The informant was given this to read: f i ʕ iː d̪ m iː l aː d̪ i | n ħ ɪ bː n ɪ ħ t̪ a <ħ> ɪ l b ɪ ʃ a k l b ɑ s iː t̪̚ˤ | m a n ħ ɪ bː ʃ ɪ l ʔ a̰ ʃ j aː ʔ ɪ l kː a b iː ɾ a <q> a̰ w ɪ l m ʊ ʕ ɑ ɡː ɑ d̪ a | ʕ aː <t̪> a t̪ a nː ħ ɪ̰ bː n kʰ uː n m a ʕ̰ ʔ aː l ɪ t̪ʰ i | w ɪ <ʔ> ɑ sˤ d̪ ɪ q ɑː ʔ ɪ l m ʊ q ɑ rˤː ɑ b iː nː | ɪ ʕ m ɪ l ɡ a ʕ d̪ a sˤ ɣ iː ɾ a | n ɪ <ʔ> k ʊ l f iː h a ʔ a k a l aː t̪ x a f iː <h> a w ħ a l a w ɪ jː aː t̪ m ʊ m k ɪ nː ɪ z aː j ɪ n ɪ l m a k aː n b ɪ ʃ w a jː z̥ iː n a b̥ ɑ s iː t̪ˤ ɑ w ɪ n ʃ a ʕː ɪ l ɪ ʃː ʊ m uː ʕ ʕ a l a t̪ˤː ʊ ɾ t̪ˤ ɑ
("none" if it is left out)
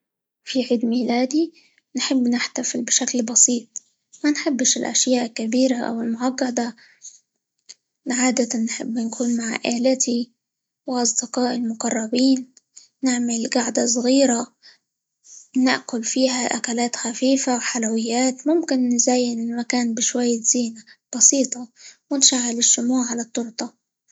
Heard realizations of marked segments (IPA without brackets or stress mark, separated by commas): f, ʔ, d̪, ʔ, ʔ, f